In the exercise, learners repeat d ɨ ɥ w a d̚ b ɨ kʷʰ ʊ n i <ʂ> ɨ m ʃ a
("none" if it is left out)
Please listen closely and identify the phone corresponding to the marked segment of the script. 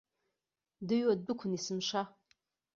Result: s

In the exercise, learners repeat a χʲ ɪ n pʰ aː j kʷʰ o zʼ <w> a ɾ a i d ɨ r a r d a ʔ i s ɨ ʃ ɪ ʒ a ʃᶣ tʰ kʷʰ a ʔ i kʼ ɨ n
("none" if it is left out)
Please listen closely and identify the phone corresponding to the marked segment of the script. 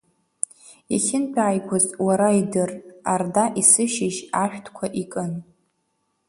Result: w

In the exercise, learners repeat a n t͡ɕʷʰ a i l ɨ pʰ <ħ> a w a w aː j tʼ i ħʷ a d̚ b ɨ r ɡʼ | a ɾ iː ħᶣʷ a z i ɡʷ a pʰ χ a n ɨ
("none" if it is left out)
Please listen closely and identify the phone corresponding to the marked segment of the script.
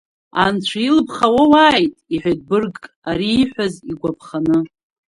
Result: χ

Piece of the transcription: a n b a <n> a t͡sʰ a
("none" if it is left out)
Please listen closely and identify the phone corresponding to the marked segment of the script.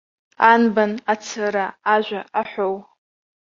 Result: n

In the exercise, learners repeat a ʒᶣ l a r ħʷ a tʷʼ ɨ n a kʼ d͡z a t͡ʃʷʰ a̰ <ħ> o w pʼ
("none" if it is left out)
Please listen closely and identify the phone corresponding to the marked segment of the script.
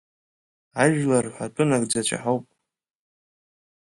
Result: ħ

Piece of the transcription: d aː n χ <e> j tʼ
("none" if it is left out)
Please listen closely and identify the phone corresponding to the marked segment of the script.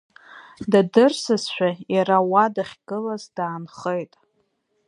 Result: e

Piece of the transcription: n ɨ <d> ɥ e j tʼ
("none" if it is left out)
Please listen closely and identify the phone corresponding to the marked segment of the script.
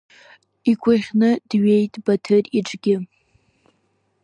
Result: d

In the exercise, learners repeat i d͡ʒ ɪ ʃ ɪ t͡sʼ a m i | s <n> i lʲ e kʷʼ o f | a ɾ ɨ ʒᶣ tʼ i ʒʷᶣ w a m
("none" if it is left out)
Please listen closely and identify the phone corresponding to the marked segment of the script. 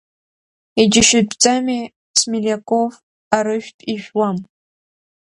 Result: m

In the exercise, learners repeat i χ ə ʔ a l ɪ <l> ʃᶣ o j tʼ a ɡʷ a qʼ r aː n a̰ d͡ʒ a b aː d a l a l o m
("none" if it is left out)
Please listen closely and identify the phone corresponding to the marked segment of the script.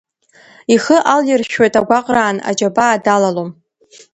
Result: r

